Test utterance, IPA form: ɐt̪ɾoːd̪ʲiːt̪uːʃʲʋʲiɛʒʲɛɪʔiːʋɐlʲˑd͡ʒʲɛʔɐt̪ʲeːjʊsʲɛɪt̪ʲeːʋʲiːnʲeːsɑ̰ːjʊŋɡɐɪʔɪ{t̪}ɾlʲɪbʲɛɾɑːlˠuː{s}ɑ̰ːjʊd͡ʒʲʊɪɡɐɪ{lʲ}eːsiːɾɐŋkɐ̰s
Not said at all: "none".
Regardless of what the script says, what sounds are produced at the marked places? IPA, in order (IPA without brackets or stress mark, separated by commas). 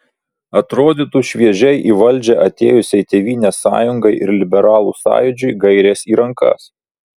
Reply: none, s, ɾʲ